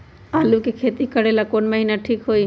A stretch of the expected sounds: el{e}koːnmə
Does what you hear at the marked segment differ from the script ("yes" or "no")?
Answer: yes